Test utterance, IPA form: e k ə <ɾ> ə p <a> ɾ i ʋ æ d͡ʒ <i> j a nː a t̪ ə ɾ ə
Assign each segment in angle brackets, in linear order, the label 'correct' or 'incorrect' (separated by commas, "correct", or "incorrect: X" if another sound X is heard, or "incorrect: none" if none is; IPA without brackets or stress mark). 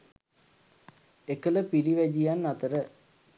incorrect: l, incorrect: i, correct